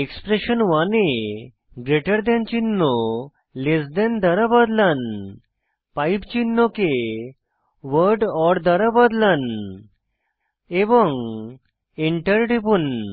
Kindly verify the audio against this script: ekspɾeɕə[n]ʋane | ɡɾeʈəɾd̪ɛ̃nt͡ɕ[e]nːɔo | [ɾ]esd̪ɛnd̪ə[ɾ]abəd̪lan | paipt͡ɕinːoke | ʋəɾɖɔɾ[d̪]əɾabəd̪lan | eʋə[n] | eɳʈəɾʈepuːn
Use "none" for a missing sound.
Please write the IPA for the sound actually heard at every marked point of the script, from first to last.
n, i, l, ɾ, d̪, ŋ

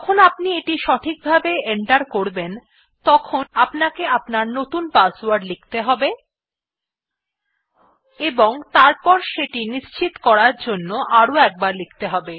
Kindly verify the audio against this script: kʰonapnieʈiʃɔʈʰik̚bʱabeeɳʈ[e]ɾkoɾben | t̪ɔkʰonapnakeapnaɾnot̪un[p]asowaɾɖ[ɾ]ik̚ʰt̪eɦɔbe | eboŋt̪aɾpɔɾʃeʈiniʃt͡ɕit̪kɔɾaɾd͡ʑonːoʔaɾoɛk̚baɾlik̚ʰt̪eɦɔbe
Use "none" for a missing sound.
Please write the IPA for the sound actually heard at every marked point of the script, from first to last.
a, p, l

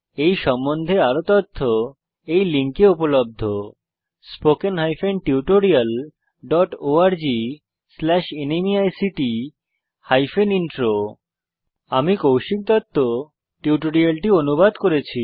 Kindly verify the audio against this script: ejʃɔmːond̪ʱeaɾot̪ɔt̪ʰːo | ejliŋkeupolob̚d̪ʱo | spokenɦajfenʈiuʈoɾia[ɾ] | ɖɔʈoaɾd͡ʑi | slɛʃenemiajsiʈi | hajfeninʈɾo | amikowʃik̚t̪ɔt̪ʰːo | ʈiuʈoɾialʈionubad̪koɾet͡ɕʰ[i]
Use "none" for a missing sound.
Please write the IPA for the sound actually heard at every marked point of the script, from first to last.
l, i

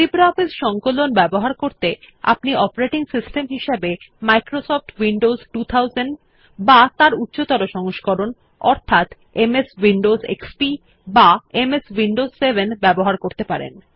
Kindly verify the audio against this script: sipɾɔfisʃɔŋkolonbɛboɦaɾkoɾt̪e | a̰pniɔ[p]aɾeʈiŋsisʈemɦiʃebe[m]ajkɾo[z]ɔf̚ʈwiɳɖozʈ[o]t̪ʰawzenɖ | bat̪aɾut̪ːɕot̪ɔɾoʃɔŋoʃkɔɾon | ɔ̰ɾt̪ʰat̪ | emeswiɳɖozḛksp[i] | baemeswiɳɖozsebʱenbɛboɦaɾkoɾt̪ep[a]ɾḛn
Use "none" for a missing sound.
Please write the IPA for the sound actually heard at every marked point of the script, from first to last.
p, m, s, u, i, a

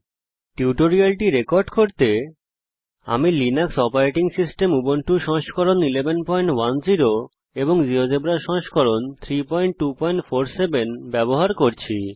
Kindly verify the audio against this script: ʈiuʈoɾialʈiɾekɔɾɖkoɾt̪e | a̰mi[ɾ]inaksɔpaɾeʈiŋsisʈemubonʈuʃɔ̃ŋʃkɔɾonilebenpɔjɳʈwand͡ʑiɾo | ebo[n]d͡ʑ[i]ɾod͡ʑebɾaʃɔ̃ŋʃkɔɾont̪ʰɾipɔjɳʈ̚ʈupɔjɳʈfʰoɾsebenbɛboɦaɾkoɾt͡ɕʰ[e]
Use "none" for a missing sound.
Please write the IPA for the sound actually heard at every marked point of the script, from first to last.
l, ŋ, i, i

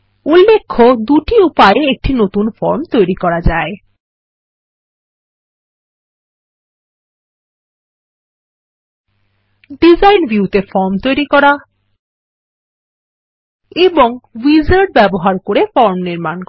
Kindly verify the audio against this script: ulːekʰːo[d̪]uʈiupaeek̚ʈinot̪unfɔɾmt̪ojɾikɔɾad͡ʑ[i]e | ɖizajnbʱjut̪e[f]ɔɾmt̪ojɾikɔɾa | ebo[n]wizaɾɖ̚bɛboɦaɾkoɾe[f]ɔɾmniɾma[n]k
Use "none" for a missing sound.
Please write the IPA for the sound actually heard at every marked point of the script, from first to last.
d̪, a, f, ŋ, f, n

